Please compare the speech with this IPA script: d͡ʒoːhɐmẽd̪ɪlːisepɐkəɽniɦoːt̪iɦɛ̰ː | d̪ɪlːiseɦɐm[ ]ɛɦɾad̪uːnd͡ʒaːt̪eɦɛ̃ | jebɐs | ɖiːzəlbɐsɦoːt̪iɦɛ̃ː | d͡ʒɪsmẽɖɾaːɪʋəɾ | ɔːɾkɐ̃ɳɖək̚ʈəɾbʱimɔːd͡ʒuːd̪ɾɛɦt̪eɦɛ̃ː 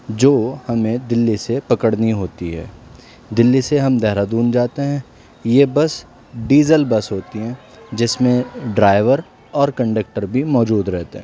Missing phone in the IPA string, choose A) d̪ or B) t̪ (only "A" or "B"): A